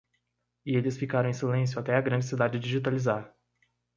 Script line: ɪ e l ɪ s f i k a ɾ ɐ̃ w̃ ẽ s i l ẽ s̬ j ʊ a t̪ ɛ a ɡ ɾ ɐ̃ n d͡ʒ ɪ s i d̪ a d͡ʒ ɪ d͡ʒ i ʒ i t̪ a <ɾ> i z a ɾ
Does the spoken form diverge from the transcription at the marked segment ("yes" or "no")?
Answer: yes